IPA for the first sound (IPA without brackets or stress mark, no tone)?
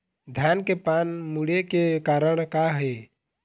d̪ʱ